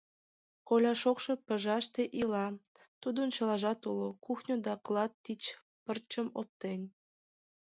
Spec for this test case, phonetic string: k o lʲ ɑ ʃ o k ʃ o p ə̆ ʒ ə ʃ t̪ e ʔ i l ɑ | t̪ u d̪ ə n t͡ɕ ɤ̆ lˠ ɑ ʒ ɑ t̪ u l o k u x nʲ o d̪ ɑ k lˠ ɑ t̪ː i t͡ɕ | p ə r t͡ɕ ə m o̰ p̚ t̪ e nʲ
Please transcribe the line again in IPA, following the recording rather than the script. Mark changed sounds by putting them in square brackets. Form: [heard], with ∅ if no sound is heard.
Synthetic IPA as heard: k o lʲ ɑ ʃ o k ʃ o p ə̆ ʒ [ɑ] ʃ t̪ e ʔ i l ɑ | t̪ u d̪ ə n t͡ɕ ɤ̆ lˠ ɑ ʒ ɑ t̪ u l o k u x nʲ o d̪ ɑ k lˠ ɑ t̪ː i t͡ɕ | p ə r t͡ɕ ə m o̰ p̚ t̪ e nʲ